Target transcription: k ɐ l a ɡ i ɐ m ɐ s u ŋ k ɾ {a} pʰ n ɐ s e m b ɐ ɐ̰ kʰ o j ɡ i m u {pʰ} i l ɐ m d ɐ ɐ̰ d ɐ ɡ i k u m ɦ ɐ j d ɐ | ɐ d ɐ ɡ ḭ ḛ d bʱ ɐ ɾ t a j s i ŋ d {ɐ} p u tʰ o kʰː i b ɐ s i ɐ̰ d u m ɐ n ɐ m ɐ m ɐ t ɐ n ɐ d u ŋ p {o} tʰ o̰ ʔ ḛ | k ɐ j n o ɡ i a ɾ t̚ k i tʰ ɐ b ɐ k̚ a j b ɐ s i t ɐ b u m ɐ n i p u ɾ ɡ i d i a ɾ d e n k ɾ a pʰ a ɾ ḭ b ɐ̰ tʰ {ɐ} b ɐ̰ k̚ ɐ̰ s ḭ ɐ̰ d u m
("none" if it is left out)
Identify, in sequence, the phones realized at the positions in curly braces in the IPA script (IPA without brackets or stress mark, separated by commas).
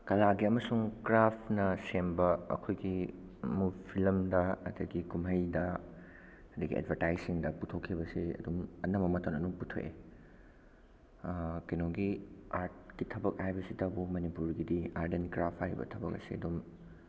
a, pʰ, ɐ, u, ɐ